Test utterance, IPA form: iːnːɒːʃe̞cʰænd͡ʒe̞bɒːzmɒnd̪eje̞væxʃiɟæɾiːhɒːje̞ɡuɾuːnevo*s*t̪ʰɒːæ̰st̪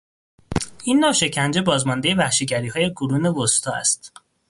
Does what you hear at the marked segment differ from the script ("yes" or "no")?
no